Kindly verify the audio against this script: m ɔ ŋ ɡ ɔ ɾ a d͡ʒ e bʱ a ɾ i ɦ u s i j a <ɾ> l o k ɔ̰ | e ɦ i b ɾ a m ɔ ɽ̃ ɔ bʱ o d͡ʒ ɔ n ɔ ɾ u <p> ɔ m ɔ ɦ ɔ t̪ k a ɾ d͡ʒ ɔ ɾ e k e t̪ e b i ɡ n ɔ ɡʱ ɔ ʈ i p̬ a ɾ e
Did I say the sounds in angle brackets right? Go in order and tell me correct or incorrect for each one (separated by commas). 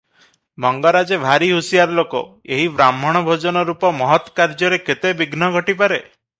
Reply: correct, correct